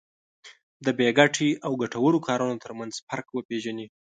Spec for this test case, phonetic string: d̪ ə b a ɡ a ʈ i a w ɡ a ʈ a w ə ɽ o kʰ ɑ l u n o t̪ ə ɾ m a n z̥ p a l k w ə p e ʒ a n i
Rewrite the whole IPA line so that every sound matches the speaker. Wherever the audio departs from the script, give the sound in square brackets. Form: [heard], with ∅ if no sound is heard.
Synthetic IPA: d̪ ə b [e] ɡ a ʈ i a w ɡ a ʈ a w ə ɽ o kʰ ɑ [ɾ] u n o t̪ ə ɾ m a n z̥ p a [ɾ] k w ə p e ʒ a n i